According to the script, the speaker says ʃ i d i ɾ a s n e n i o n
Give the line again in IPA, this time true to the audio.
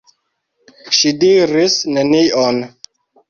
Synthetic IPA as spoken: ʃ i d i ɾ i s n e n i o n